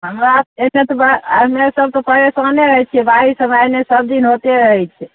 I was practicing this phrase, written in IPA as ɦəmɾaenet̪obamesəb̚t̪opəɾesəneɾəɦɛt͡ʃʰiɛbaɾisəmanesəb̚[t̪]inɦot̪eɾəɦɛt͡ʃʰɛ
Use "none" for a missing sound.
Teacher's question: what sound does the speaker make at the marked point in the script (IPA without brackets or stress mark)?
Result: d̪